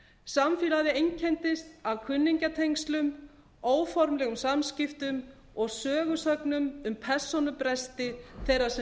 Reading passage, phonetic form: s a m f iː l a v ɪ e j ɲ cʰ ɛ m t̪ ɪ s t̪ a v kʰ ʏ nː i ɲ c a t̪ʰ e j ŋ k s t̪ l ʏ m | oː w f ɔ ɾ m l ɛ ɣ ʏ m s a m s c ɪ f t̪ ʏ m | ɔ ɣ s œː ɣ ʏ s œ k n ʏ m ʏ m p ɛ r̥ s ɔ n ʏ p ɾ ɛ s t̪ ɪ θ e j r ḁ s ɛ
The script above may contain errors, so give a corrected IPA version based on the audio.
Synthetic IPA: s a m f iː l a ð ɪ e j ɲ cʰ ɛ n t̪ ɪ s t̪ a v kʰ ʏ nː i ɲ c a t̪ʰ e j ŋ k s t̪ l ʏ m | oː w f ɔ ɾ m l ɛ ɣ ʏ m s a m s c ɪ f t̪ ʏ m | ɔ ɣ s œː ɣ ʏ s œ k n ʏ m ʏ m pʰ ɛ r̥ s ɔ n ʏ p ɾ ɛ s t̪ ɪ θ e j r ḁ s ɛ